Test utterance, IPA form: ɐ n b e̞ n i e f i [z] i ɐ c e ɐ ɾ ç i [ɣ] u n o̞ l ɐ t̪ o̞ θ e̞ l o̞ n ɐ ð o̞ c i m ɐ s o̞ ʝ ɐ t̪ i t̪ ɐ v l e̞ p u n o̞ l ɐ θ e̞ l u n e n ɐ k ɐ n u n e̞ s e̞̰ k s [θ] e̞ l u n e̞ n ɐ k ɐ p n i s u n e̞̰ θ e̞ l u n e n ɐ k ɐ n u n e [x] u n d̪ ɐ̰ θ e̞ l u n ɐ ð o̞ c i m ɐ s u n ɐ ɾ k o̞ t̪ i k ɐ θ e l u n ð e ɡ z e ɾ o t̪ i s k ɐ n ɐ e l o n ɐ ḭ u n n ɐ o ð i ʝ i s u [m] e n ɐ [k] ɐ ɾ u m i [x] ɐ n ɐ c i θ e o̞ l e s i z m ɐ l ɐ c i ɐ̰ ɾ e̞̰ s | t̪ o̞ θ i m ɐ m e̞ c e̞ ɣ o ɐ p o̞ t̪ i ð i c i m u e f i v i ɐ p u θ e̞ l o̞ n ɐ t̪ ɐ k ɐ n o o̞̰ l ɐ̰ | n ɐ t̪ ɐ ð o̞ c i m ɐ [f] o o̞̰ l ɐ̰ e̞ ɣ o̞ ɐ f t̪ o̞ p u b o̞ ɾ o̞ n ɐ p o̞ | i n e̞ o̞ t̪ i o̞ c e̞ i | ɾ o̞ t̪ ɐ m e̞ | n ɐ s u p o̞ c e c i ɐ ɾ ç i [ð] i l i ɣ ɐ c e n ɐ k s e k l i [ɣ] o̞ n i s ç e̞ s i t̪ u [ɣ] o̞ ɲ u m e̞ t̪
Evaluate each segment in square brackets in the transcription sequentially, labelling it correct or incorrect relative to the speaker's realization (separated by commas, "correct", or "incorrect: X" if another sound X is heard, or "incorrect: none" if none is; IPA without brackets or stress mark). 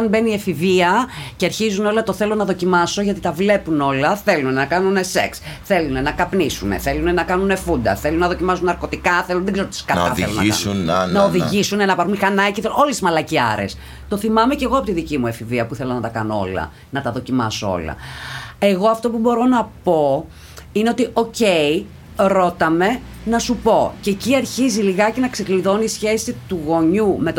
incorrect: v, incorrect: z, correct, incorrect: f, incorrect: n, incorrect: p, correct, incorrect: s, incorrect: z, incorrect: ð, correct